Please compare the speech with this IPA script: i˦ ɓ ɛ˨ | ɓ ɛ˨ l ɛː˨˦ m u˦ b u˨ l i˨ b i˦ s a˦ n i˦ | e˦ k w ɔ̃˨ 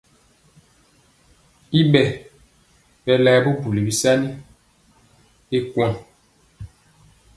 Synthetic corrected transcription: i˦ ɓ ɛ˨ | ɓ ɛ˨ l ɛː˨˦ b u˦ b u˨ l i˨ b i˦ s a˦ n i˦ | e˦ k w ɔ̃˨